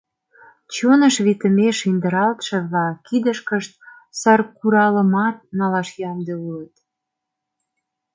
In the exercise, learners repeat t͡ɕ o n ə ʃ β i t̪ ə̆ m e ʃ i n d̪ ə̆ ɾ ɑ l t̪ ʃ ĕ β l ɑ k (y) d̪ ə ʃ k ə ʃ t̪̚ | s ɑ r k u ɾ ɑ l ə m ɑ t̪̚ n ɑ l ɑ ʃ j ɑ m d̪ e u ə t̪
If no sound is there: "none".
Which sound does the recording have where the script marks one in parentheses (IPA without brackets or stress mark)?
i